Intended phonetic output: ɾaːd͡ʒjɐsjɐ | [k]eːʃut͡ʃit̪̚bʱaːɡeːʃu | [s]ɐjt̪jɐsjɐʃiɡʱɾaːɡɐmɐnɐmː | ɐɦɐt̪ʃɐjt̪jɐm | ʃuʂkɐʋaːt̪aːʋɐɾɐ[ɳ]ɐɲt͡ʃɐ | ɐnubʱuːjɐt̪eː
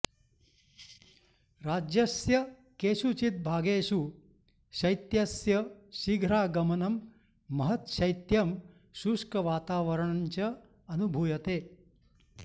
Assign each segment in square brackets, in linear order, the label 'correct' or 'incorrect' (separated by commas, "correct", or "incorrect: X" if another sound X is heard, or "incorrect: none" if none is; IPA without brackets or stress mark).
correct, incorrect: ʃ, correct